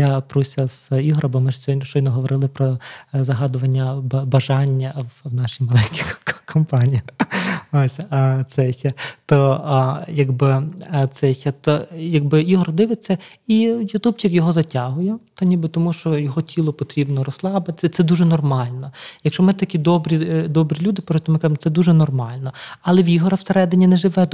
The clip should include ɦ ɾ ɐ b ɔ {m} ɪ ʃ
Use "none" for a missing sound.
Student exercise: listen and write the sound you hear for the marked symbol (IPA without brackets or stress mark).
m